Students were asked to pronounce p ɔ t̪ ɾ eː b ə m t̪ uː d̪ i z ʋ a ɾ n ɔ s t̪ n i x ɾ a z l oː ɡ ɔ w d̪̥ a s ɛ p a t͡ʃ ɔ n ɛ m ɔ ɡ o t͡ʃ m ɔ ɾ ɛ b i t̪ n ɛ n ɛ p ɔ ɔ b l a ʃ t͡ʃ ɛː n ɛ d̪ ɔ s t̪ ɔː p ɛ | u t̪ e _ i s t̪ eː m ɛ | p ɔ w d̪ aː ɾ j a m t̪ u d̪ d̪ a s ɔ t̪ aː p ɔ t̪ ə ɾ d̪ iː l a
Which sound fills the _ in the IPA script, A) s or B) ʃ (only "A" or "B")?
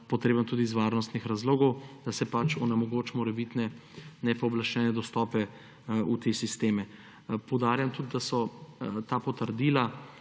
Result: A